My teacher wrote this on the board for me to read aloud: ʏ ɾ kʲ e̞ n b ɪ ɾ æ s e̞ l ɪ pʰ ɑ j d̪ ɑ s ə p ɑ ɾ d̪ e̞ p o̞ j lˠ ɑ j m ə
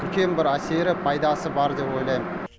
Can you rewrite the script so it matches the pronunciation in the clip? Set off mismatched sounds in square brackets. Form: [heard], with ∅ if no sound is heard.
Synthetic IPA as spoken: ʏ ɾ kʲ e̞ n b ɪ ɾ æ s e̞ [ɾ] ɪ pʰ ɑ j d̪ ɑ s ə [b] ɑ ɾ d̪ e̞ p o̞ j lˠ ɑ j m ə